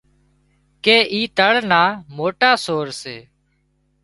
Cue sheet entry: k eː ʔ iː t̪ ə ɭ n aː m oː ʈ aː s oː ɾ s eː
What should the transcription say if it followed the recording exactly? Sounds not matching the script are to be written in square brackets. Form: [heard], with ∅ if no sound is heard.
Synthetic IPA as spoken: k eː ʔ iː t̪ ə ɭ n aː m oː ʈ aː s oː ɾ s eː